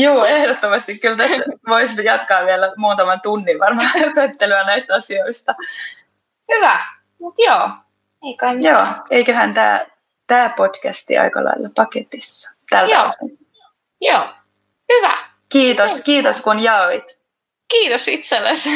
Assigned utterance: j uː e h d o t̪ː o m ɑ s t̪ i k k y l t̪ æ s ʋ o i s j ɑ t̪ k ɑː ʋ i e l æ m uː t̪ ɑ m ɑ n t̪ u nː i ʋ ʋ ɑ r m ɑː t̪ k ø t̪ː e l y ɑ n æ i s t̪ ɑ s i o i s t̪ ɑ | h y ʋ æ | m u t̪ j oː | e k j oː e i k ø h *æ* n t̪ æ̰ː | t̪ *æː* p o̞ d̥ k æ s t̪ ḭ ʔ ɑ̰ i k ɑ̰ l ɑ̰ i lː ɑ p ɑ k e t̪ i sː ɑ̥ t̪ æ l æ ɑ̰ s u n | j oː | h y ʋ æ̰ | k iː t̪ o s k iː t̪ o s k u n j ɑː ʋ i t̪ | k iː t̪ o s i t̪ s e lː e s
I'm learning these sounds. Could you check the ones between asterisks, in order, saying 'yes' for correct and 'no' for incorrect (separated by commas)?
yes, yes